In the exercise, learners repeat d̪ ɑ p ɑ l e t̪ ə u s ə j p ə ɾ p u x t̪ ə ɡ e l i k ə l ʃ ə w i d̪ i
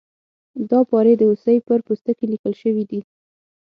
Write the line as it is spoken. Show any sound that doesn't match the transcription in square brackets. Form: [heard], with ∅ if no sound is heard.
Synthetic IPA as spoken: d̪ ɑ p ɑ [ɾ] e [d̪] ə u s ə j p ə ɾ p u [s] t̪ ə [k] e l i k ə l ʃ ə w i d̪ i